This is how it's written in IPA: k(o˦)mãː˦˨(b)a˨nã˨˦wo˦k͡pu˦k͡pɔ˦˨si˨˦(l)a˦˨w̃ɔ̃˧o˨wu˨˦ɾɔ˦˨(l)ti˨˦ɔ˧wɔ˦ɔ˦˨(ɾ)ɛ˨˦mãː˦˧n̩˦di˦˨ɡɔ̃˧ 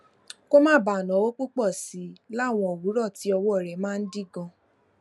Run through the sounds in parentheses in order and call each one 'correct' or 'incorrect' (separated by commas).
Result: correct, correct, correct, incorrect, correct